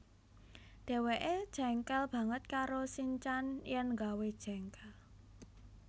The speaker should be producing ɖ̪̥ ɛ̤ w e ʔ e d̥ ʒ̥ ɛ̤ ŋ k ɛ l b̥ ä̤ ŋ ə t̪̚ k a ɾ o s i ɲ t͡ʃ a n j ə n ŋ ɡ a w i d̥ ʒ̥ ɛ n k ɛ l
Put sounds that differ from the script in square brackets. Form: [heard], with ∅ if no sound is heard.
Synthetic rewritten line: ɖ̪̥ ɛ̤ w e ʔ e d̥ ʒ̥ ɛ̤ ŋ k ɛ l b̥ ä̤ ŋ ə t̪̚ k a ɾ o s i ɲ t͡ʃ a n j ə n ŋ ɡ a w [e] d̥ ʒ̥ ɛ [ŋ] k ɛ l